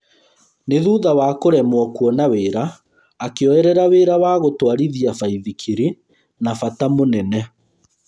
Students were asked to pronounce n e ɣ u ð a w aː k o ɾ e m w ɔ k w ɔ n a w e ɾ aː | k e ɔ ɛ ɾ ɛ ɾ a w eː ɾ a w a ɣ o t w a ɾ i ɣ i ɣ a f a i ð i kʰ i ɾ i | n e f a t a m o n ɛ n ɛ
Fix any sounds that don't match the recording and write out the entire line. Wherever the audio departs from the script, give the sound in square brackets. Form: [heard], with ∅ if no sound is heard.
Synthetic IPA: n e [ð] u ð a w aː k o ɾ [ɛ] m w ɔ k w ɔ n a w e ɾ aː | k e ɔ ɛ ɾ ɛ ɾ a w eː ɾ a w a ɣ o t w a ɾ i [ð] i [∅] a f a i ð i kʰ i ɾ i | n [a] f a t a m o n ɛ n ɛ